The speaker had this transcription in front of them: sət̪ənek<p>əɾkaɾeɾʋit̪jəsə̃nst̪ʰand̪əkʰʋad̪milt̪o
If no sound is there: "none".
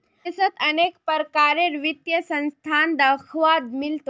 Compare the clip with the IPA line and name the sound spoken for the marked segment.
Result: p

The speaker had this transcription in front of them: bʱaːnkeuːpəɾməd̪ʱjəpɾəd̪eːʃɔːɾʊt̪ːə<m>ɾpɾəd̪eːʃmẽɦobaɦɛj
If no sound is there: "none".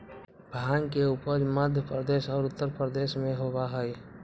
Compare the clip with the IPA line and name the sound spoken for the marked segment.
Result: none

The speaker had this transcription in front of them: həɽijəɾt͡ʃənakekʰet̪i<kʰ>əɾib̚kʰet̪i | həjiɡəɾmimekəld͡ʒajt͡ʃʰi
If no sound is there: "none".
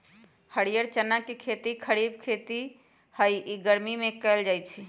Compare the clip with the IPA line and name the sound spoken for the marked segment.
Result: kʰ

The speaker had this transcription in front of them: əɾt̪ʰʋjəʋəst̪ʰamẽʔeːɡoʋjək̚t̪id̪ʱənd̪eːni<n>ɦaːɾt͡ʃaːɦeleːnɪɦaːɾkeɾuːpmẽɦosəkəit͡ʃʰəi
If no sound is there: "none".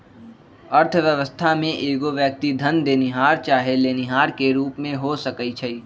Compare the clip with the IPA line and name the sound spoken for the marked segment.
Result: none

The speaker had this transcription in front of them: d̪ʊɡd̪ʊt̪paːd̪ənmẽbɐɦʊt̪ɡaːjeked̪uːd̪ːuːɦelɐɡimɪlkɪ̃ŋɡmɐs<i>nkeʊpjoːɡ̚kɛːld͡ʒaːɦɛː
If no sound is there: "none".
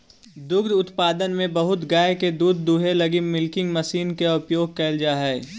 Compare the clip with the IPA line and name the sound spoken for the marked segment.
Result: iː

